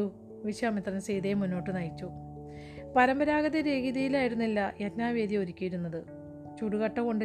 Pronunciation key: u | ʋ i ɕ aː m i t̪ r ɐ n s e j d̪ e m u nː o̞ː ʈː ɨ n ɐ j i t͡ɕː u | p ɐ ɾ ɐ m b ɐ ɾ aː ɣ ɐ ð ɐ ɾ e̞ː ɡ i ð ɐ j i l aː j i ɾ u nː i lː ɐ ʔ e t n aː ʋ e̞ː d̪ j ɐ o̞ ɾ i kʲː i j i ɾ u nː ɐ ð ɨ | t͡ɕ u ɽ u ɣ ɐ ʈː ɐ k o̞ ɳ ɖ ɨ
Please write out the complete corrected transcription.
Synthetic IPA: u | ʋ i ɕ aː m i t̪ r ɐ n s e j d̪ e m u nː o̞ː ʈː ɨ n ɐ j i t͡ɕː u | p ɐ ɾ ɐ m b ɐ ɾ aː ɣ ɐ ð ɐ ɾ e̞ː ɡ i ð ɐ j i l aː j i ɾ u nː i lː ɐ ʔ e t n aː ʋ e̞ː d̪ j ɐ o̞ ɾ i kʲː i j i ɾ u nː ɐ ð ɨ | t͡ɕ u ɽ u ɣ ɐ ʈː ɐ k o̞ ɳ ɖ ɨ